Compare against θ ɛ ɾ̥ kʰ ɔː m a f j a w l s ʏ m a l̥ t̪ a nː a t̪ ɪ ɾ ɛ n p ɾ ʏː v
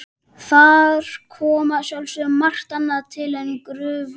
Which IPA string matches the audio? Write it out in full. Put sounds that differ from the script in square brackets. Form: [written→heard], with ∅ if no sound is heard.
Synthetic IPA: θ [ɛ→a] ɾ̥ kʰ ɔː m a [f→s] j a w l s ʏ m a [l̥→r̥] t̪ a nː a [t̪→t̪ʰ] ɪ [ɾ→l] ɛ n [p→k] ɾ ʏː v

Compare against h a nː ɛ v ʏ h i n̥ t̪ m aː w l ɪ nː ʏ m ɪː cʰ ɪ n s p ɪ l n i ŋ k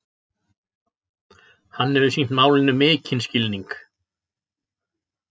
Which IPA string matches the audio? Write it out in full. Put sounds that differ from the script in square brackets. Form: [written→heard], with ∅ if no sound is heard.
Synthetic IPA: h a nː ɛ v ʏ [h→s] i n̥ t̪ m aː w l ɪ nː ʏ m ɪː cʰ ɪ n s [p→c] ɪ l n i ŋ k

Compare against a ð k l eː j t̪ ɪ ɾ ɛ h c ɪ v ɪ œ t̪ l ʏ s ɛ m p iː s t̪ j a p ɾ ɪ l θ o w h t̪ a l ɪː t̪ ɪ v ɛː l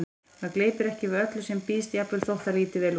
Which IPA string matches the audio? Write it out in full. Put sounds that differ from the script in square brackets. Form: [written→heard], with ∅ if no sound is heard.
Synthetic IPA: a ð k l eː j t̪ ɪ ɾ ɛ h c ɪ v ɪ œ t̪ l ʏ s ɛ m p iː s t̪ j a p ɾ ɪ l θ o w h t̪ a l [ɪː→iː] t̪ ɪ v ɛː l

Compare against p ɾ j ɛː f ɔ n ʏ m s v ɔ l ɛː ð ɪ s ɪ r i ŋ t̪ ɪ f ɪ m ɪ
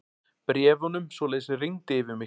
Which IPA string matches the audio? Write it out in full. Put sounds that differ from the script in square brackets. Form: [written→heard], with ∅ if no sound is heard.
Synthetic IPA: p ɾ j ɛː [f→v] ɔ n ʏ m s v ɔ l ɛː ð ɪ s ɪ r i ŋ t̪ ɪ [f→v] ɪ m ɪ

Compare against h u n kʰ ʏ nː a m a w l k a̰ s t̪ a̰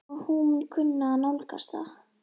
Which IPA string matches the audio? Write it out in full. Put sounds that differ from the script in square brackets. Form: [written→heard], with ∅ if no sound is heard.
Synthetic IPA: h u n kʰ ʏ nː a [m→n] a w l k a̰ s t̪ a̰

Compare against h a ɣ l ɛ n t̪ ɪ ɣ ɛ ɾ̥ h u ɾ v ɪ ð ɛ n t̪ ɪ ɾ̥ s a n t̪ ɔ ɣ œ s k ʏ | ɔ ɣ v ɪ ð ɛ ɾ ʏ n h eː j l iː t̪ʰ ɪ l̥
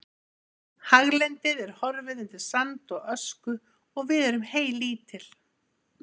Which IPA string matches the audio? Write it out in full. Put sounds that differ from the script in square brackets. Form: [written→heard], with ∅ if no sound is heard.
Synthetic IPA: h a ɣ l ɛ n t̪ ɪ [ɣ→ð] ɛ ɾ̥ h [u→ɔ] ɾ v ɪ ð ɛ n t̪ ɪ ɾ̥ s a n t̪ ɔ ɣ œ s k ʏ | ɔ ɣ v ɪ ð ɛ ɾ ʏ [n→m] h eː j l iː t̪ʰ ɪ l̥

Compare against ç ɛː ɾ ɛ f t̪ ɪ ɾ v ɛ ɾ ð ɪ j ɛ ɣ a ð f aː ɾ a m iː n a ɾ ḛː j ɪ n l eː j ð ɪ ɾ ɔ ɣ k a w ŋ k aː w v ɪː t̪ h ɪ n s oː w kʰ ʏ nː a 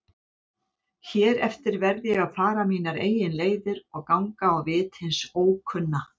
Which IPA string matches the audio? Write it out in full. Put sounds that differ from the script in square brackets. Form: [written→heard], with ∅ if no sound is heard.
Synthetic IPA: ç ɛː ɾ ɛ f t̪ ɪ ɾ v ɛ ɾ ð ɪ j ɛ ɣ a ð f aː ɾ a m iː n a ɾ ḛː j ɪ n l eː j ð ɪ ɾ ɔ ɣ k a w ŋ k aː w v ɪː t̪ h ɪ n s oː w kʰ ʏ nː a

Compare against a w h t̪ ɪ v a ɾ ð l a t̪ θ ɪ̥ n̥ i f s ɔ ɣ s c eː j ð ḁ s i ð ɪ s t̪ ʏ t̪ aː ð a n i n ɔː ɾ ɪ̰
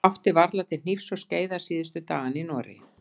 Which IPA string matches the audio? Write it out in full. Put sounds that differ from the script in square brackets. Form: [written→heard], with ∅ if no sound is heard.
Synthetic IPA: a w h t̪ ɪ v a ɾ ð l a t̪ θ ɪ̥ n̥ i f s ɔ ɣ s c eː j ð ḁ s [i→iː] ð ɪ s t̪ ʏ t̪ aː [ð→ɣ] a n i n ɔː ɾ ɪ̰

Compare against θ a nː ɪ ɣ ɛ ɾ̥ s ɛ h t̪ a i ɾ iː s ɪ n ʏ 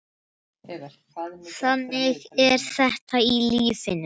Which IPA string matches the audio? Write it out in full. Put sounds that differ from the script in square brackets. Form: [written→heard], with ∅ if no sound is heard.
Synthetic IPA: θ a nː ɪ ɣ ɛ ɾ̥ [s→θ] ɛ h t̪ a i [ɾ→l] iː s ɪ n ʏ

